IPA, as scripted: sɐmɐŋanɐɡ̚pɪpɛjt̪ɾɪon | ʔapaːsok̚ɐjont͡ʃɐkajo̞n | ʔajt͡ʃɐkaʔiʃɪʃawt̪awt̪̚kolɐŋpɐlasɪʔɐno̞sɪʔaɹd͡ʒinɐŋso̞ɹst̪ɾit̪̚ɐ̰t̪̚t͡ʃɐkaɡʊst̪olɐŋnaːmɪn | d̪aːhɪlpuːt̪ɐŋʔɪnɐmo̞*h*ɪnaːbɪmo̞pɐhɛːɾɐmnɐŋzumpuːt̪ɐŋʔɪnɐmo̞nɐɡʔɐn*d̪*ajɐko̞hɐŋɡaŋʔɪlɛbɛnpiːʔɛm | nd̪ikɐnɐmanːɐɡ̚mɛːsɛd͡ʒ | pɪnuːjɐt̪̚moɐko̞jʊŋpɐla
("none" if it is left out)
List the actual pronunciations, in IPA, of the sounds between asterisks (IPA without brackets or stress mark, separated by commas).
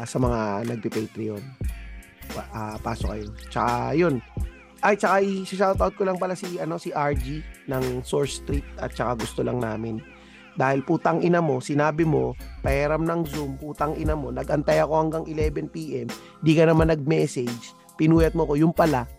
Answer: s, t̪